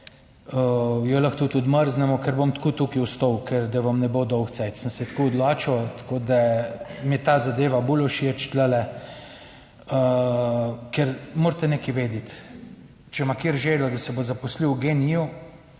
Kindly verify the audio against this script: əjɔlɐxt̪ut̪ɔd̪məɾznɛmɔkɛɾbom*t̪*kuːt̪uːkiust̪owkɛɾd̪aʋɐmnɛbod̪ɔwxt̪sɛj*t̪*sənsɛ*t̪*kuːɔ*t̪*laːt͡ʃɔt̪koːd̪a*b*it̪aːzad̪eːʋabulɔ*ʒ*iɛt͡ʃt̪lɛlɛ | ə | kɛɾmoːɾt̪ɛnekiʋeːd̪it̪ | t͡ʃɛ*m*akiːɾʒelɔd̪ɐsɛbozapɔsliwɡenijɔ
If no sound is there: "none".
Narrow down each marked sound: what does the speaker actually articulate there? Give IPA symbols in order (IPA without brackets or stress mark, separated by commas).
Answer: t̪, t̪, t̪, d̪, m, ʃ, m